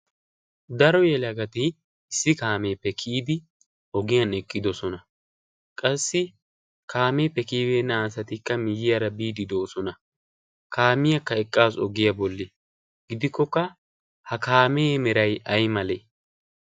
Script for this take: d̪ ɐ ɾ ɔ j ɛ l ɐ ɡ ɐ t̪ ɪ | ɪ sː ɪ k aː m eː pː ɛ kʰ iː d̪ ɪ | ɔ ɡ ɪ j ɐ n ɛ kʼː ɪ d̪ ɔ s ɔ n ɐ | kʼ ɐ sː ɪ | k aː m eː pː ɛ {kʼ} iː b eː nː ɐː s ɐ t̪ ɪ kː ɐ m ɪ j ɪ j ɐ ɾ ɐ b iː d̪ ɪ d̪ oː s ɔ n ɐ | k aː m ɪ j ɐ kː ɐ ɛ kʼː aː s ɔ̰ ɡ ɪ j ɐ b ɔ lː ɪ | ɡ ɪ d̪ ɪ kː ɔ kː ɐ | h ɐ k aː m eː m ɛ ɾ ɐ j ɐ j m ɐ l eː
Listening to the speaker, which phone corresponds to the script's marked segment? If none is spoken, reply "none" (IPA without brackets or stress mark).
k